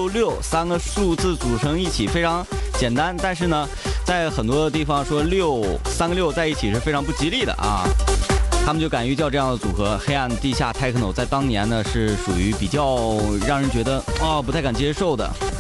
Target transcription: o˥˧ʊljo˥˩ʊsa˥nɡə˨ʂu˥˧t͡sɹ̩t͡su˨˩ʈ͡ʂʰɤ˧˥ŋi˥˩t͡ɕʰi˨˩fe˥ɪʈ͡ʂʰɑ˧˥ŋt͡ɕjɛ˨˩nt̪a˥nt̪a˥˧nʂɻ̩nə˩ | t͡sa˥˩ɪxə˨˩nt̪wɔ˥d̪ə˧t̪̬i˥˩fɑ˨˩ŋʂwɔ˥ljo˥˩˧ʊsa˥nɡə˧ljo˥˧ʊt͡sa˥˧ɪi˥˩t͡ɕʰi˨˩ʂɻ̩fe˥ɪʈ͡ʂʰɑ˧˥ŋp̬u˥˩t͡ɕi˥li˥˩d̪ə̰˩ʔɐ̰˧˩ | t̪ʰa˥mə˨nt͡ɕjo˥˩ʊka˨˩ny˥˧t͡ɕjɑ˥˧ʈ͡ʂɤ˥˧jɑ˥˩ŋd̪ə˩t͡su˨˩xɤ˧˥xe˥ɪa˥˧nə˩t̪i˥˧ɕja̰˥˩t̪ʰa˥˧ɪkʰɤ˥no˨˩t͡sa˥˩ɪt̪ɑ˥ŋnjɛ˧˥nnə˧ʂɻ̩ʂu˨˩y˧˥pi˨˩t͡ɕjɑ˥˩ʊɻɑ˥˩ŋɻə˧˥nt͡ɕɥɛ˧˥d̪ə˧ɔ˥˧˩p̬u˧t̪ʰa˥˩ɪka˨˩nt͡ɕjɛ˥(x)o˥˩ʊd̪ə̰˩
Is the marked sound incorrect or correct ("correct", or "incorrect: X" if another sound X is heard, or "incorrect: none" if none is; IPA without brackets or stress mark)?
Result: incorrect: ʂ